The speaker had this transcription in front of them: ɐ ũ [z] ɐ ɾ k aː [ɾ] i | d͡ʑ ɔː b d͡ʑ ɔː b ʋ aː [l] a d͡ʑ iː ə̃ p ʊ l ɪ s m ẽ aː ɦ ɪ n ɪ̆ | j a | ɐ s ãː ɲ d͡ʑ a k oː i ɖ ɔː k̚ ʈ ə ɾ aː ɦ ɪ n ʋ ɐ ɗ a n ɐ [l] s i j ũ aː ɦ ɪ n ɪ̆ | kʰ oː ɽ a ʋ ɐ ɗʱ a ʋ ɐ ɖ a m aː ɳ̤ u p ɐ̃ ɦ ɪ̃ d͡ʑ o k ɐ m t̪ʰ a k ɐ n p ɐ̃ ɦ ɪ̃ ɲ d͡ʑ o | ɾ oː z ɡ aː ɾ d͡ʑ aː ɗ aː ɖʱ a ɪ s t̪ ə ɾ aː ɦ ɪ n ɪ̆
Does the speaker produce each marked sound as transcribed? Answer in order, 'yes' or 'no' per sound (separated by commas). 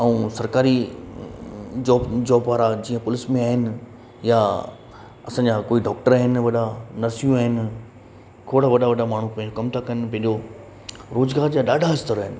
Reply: no, yes, no, no